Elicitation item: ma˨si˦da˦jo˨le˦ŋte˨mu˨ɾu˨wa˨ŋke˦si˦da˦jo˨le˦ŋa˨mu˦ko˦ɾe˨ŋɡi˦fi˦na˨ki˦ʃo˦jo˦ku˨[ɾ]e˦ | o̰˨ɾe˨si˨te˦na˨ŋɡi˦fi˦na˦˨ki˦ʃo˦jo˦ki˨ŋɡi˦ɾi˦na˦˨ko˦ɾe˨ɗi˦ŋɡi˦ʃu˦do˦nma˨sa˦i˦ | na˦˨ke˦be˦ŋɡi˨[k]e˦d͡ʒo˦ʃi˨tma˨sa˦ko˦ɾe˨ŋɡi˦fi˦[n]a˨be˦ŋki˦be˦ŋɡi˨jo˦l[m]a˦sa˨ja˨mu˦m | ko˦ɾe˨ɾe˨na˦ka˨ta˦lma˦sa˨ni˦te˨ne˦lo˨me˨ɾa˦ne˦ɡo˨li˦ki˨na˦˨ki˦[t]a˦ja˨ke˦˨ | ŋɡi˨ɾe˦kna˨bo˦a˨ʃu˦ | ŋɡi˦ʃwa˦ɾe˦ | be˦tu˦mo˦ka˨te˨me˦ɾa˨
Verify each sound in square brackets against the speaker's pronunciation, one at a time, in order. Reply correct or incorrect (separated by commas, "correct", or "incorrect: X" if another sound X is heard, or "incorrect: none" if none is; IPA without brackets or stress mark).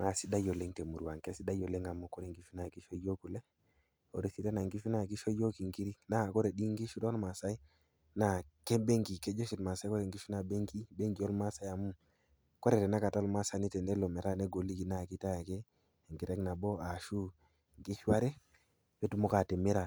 incorrect: l, correct, correct, correct, correct